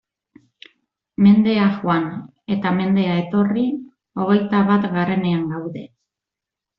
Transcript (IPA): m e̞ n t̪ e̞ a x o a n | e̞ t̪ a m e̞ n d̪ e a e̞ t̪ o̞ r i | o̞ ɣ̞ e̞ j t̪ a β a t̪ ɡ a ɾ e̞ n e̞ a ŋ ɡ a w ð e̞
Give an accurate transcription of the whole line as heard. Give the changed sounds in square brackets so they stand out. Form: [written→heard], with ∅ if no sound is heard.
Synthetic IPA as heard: m e̞ n [t̪→d̪] e̞ a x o a n | e̞ t̪ a m e̞ n d̪ e a e̞ t̪ o̞ r i | o̞ ɣ̞ e̞ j t̪ a β a t̪ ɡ a ɾ e̞ n e̞ a ŋ ɡ a w ð e̞